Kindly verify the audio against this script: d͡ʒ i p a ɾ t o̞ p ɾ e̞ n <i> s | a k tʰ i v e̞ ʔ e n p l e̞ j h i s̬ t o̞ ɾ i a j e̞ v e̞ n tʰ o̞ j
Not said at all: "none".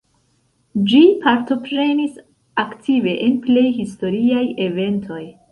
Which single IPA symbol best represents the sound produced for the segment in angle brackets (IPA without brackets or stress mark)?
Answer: i